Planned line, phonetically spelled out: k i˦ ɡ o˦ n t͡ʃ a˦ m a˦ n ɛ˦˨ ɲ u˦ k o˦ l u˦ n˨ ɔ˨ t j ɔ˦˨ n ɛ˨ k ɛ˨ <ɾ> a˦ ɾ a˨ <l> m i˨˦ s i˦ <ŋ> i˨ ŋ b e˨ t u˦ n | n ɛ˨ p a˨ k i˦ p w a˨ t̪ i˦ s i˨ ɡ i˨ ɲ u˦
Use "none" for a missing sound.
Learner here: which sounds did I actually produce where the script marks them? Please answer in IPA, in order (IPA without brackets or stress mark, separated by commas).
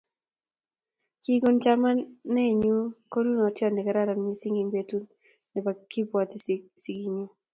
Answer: ɾ, none, ŋ